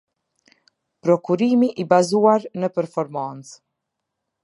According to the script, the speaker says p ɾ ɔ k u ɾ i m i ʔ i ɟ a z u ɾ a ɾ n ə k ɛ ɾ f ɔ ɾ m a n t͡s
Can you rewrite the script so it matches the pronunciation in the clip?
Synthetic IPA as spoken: p ɾ ɔ k u ɾ i m i ʔ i b a z u a ɾ n ə p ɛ ɾ f ɔ ɾ m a n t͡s